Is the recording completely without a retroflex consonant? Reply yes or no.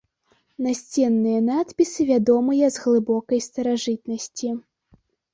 no